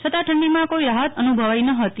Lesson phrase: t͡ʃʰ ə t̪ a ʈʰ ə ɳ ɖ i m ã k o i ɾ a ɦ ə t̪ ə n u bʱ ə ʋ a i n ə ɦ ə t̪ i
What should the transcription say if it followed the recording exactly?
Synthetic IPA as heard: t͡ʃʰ ə t̪ a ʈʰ ə ɳ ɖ i m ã k o i ɾ a ɦ ə t̪ ə n u bʱ ə ʋ a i n ə ɦ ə t̪ i